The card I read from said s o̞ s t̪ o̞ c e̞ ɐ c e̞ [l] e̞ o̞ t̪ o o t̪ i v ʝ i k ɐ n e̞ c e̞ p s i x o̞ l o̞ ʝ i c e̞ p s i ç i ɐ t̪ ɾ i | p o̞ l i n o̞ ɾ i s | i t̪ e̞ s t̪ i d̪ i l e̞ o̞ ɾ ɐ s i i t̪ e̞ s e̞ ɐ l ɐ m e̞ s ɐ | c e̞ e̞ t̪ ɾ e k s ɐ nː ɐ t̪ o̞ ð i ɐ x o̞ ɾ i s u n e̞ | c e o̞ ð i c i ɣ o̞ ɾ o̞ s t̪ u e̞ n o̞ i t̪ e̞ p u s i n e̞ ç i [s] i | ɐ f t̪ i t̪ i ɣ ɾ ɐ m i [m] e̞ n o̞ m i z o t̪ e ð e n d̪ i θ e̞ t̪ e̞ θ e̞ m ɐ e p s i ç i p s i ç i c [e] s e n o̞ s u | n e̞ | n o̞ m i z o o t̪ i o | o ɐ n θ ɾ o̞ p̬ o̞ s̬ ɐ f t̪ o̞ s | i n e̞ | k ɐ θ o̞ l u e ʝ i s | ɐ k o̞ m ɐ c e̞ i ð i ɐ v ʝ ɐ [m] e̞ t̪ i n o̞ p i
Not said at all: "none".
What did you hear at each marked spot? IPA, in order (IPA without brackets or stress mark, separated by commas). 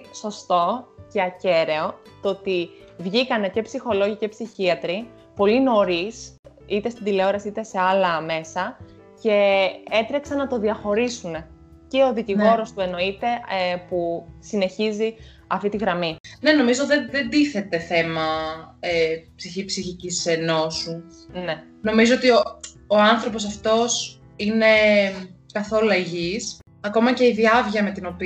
ɾ, z, n, i, m